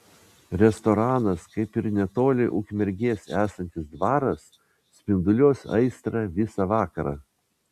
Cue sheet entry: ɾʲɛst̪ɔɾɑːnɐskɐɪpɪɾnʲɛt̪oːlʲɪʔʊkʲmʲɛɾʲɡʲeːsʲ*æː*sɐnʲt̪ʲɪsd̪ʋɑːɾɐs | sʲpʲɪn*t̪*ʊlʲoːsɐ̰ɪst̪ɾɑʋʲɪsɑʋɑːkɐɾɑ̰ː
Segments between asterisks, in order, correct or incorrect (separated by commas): correct, incorrect